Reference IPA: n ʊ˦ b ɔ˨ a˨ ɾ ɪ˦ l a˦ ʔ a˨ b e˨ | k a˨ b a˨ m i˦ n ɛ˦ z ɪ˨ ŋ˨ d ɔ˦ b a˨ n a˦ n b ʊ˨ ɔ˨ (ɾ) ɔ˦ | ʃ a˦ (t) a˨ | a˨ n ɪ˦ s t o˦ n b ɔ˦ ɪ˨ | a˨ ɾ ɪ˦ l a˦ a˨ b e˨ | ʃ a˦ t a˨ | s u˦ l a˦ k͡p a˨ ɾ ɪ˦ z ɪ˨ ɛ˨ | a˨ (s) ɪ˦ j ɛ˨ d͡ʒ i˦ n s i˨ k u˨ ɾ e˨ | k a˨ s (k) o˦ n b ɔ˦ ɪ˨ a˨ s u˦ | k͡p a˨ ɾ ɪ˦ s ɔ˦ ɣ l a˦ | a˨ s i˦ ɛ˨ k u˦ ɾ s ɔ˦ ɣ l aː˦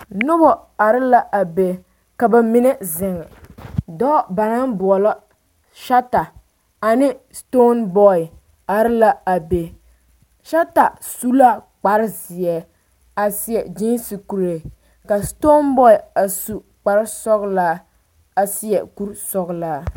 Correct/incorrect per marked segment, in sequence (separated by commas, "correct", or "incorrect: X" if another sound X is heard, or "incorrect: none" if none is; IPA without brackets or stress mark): incorrect: l, correct, correct, incorrect: t